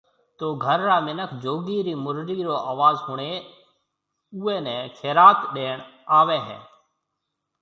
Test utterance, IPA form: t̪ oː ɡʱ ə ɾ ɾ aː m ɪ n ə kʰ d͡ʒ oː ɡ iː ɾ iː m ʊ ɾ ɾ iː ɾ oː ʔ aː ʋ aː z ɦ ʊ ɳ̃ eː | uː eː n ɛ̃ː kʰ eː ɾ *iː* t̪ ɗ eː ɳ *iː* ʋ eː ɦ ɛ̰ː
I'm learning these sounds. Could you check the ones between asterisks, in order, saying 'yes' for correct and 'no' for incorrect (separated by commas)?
no, no